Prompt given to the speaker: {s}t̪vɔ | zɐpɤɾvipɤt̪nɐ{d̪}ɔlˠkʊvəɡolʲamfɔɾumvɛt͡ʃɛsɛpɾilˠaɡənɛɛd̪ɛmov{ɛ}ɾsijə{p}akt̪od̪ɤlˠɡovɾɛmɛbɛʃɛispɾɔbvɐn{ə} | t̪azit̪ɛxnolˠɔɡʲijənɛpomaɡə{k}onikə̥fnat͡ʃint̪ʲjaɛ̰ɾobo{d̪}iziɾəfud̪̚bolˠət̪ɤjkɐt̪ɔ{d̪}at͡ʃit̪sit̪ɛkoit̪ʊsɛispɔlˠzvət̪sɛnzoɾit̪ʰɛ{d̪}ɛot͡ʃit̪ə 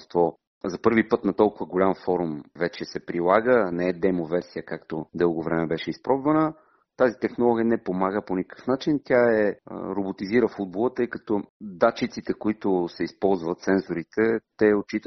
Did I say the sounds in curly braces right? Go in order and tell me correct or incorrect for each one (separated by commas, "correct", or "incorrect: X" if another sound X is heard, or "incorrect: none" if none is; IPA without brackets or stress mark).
correct, incorrect: t̪, correct, incorrect: k, correct, incorrect: p, incorrect: t̪, correct, incorrect: t̪